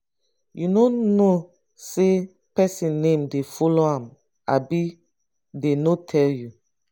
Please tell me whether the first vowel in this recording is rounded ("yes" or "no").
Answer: yes